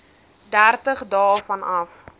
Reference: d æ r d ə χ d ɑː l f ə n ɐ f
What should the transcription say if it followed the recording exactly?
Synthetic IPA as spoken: d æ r t ə χ d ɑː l f ɐ n ɐ f